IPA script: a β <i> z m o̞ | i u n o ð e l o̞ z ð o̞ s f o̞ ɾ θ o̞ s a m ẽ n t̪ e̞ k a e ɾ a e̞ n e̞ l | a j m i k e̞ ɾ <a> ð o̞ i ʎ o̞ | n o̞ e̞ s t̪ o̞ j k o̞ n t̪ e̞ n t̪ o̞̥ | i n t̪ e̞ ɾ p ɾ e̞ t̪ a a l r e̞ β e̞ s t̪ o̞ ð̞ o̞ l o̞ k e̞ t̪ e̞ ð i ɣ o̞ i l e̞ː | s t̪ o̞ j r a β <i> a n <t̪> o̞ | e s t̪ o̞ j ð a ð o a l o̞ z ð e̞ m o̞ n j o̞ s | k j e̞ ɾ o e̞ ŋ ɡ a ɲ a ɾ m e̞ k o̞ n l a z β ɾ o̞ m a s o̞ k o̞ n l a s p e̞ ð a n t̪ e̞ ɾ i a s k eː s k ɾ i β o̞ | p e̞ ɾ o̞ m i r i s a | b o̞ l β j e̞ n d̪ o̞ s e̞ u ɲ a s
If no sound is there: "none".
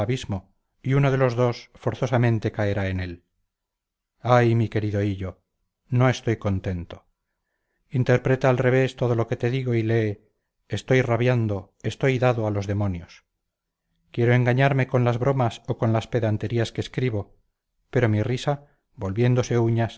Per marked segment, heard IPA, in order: i, i, j, d̪

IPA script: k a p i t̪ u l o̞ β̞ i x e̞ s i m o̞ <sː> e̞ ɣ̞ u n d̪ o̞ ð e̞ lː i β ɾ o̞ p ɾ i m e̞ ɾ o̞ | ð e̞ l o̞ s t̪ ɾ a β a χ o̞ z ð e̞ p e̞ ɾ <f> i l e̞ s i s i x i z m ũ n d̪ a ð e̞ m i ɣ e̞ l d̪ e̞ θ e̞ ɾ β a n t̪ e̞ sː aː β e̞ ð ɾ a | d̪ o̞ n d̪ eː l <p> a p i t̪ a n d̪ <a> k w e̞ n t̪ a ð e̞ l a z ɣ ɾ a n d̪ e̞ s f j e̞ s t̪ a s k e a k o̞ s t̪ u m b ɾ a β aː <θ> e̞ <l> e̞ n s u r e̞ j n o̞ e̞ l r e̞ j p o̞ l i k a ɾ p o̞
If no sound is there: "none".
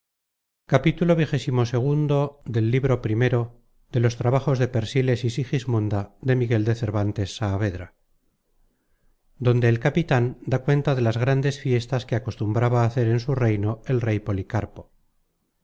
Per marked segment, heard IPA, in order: s, s, k, a, θ, ɾ

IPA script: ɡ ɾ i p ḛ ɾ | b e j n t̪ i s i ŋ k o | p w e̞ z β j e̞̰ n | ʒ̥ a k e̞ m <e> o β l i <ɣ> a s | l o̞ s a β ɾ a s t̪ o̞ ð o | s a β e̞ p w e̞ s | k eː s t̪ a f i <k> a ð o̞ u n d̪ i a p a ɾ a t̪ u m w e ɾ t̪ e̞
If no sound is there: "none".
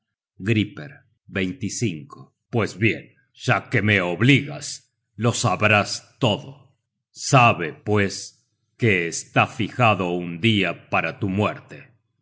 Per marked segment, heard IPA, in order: e, ɣ, x

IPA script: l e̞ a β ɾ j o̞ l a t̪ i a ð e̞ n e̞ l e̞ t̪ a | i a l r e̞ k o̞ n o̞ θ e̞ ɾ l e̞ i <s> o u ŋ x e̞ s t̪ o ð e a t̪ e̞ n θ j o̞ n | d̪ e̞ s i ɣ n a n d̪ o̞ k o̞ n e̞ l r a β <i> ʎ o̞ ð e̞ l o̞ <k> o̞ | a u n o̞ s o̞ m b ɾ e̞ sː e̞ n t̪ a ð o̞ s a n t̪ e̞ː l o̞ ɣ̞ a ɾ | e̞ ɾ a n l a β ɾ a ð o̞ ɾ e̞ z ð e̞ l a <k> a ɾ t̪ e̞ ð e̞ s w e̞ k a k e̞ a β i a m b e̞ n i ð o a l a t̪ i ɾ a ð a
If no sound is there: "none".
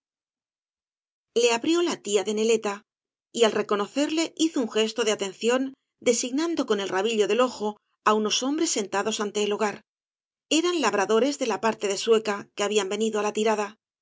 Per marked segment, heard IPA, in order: θ, i, x, p

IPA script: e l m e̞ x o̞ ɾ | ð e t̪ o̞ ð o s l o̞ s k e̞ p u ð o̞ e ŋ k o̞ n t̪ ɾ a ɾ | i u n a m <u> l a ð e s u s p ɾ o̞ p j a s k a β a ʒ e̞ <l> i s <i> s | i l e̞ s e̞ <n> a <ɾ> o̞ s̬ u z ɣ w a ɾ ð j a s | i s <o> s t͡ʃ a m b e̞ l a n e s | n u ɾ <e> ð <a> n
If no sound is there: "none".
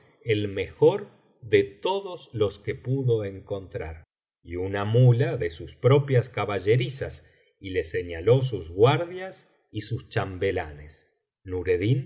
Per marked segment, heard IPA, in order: u, ɾ, a, ɲ, l, u, e, i

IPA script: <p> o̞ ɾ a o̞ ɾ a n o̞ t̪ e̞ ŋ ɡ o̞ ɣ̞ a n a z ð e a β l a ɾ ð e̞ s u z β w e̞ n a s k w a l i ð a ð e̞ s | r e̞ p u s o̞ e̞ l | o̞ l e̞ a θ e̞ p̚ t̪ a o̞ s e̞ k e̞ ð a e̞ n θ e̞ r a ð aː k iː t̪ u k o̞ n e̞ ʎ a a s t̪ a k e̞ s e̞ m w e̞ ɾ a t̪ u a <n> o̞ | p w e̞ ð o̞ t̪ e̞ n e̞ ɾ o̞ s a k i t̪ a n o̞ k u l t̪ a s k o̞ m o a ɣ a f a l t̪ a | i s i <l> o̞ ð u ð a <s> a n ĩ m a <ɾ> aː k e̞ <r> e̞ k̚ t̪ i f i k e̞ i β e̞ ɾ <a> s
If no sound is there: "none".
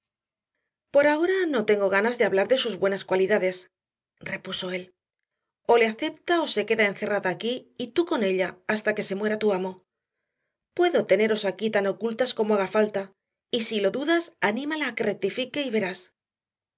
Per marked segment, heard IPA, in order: p, m, l, s, l, r, a

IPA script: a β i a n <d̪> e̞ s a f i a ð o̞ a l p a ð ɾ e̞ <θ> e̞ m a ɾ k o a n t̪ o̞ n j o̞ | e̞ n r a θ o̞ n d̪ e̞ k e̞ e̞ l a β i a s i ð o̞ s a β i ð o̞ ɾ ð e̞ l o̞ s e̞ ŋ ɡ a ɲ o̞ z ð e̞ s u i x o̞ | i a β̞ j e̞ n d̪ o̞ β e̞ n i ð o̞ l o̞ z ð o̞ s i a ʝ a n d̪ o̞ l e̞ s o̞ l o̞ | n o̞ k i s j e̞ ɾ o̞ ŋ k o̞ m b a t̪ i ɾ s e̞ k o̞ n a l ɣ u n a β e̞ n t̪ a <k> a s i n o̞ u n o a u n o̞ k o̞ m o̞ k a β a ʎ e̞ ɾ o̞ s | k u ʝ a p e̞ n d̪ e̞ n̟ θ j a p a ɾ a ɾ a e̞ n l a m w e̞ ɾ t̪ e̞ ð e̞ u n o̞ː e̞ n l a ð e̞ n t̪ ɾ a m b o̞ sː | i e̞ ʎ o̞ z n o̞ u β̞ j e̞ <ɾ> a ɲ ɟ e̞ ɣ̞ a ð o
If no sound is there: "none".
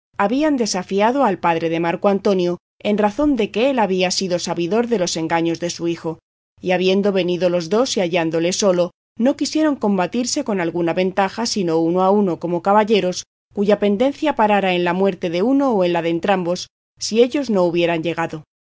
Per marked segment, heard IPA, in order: d̪, ð, x, ɾ

